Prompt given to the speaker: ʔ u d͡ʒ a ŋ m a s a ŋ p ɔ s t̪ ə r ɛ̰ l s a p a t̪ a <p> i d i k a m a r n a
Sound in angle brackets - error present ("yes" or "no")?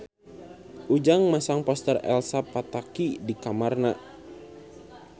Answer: yes